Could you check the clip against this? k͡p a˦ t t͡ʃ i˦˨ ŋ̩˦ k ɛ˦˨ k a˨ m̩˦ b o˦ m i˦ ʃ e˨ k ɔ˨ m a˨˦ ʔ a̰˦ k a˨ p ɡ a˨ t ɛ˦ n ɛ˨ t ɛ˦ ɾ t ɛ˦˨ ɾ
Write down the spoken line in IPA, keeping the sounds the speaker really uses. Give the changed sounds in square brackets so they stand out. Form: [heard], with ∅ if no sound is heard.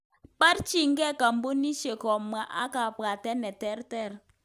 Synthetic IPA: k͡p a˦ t t͡ʃ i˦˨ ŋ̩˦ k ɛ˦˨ k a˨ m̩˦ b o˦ [n] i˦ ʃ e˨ k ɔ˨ m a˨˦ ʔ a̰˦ k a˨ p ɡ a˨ t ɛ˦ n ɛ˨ t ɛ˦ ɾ t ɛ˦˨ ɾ